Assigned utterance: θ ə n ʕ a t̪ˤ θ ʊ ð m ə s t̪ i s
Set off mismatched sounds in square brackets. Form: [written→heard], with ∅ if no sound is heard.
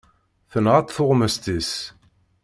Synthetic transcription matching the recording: θ ə n [ʕ→ʁ] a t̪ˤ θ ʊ [ð→ʁ] m ə s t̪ i s